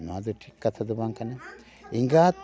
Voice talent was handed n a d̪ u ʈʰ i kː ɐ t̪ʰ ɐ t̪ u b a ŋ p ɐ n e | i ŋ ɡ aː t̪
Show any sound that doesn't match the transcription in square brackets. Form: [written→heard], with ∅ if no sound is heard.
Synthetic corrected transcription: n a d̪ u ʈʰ i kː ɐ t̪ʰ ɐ [t̪→d̪] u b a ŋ [p→k] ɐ n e | i ŋ ɡ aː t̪